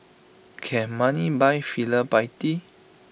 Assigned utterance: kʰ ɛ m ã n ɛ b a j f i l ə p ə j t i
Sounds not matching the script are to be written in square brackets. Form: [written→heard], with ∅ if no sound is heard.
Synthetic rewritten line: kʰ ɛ m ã n [ɛ→i] b a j f i l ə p [ə→a] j t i

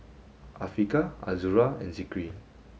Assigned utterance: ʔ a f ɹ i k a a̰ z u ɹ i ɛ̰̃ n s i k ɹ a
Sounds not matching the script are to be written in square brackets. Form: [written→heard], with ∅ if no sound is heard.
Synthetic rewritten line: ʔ a f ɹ i k a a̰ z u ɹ [i→a] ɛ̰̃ n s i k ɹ [a→i]

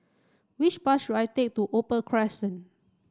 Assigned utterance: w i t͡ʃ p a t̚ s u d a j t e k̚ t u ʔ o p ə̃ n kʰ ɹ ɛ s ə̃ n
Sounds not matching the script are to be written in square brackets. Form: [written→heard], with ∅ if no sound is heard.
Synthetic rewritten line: w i t͡ʃ p a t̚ [s→ʃ] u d a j t e k̚ t u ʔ o p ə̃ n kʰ ɹ ɛ s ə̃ n

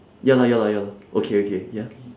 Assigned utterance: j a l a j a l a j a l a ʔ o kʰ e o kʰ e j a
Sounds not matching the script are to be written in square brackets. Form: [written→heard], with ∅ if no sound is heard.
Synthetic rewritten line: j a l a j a l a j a l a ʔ o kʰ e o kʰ e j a

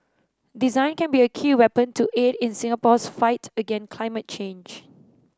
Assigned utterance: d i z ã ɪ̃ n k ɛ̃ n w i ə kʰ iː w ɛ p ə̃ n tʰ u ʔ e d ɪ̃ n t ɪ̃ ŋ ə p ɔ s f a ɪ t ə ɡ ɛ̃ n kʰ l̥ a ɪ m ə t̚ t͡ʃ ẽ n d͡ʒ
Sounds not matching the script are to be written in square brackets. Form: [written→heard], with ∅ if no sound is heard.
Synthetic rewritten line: d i z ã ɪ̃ n k ɛ̃ n [w→b] i ə kʰ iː w ɛ p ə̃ n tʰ u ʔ e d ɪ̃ n [t→s] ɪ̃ ŋ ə p ɔ s f a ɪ t ə ɡ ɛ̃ n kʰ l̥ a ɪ m ə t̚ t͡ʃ ẽ n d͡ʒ

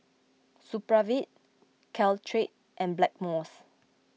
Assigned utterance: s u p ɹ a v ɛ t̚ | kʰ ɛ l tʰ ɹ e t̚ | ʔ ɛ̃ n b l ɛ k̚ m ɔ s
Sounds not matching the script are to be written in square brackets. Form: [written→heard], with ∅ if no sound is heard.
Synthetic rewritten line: s u p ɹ a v [ɛ→i] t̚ | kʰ ɛ l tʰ ɹ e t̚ | ʔ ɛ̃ n b l ɛ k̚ m ɔ s

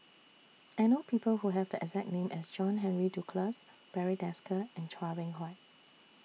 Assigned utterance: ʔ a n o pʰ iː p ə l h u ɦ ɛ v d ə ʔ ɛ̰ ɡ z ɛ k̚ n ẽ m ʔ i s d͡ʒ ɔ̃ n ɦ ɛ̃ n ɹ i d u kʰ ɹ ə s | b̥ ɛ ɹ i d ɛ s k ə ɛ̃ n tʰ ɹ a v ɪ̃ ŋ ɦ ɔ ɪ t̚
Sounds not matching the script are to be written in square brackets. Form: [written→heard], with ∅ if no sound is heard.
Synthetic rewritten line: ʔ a n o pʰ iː p ə l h u ɦ ɛ v d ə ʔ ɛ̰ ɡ z ɛ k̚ n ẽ m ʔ [i→ɛ] s d͡ʒ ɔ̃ n ɦ ɛ̃ n ɹ i d u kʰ [ɹ→l] ə s | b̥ ɛ ɹ i d ɛ s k ə ɛ̃ n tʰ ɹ a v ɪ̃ ŋ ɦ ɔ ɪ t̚

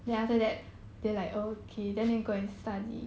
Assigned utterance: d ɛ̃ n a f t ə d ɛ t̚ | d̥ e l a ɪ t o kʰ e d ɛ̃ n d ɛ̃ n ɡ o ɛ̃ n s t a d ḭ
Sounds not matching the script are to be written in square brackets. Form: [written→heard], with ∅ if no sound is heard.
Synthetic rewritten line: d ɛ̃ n a f t ə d ɛ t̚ | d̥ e l a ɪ [t→k] o kʰ e d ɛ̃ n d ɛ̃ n ɡ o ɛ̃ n s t a d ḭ

